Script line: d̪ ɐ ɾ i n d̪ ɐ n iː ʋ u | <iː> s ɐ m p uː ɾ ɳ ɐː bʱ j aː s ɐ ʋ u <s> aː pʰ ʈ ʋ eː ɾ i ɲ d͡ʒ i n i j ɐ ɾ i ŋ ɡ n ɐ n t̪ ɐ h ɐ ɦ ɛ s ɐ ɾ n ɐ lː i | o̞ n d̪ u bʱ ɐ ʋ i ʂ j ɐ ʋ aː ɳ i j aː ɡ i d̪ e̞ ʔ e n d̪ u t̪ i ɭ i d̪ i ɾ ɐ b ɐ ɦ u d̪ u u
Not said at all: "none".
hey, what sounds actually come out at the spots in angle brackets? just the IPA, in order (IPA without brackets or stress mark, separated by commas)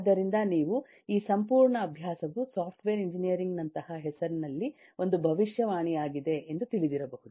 iː, s